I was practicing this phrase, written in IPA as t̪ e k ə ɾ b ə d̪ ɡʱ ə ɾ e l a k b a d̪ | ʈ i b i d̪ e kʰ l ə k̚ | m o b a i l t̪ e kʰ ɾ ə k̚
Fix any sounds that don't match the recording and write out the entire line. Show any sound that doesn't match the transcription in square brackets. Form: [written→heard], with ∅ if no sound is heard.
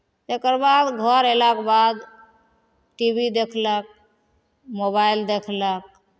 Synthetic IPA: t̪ e k ə ɾ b [ə→a] d̪ ɡʱ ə ɾ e l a k b a d̪ | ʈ i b i d̪ e kʰ l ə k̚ | m o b a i l [t̪→d̪] e kʰ [ɾ→l] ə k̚

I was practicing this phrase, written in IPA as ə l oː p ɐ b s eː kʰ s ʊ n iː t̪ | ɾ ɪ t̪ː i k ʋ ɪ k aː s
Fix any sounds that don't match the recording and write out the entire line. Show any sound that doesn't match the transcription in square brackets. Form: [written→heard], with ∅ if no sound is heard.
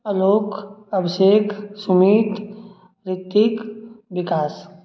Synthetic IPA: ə l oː [p→k] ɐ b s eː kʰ s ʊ [n→m] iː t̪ | ɾ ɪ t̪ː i k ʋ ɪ k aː s

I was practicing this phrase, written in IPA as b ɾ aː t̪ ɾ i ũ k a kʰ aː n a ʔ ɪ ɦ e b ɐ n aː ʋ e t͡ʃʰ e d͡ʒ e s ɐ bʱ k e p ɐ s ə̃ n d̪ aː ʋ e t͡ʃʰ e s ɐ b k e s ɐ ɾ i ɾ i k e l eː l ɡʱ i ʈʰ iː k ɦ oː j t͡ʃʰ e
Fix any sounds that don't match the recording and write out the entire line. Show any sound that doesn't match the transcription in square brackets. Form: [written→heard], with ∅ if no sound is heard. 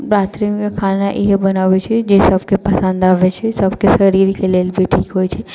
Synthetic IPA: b ɾ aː t̪ ɾ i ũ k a kʰ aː n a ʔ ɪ ɦ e b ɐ n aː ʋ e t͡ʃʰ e d͡ʒ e s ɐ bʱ k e p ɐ s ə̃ n d̪ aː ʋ e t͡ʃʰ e s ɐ b k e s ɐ ɾ i ɾ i k e l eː l [ɡʱ→bʱ] i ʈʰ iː k ɦ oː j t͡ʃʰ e

